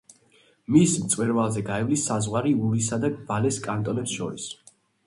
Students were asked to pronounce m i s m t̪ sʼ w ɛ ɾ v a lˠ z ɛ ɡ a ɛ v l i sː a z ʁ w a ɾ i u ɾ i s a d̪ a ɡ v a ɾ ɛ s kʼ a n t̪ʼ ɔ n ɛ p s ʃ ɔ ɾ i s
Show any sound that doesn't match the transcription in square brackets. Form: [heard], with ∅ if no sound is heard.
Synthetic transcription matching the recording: m i s m t̪ sʼ w ɛ ɾ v a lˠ z ɛ ɡ a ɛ v l i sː a z ʁ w a ɾ i u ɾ i s a d̪ a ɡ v a [l] ɛ s kʼ a n t̪ʼ ɔ n ɛ p s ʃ ɔ ɾ i s

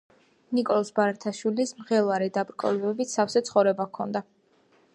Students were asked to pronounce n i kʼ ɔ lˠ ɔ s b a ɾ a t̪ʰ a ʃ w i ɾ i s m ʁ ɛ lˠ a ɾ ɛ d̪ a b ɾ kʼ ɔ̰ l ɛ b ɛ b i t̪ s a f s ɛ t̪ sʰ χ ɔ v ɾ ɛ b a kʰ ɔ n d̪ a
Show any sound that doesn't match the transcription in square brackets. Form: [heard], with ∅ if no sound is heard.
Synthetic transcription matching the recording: n i kʼ ɔ lˠ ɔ s b a ɾ a t̪ʰ a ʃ w i [l] i s m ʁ ɛ lˠ a ɾ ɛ d̪ a b ɾ kʼ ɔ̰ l ɛ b ɛ b i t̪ s a f s ɛ t̪ sʰ χ ɔ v ɾ ɛ b a kʰ ɔ n d̪ a

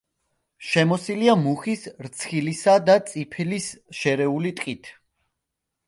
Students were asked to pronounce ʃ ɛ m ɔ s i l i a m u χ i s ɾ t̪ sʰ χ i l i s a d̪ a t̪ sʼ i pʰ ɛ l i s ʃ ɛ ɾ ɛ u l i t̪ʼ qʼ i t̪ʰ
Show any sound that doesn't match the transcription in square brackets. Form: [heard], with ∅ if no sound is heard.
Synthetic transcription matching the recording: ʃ ɛ m ɔ s i l i a m u χ i s ɾ t̪ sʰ χ i l i s a d̪ a t̪ sʼ i pʰ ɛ l i s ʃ ɛ ɾ ɛ u l i t̪ʼ qʼ i t̪ʰ

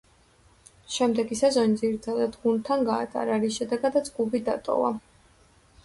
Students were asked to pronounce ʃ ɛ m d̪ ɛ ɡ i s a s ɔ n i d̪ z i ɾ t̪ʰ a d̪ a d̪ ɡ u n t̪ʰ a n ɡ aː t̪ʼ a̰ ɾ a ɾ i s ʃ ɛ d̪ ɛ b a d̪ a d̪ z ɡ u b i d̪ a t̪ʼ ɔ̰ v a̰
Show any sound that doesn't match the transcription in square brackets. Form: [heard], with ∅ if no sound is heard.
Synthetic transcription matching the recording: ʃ ɛ m d̪ ɛ ɡ i s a [z] ɔ n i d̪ z i ɾ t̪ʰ a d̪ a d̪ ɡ u n t̪ʰ a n ɡ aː t̪ʼ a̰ ɾ a ɾ i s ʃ ɛ d̪ ɛ [ɡ] a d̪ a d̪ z ɡ u b i d̪ a t̪ʼ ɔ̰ v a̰

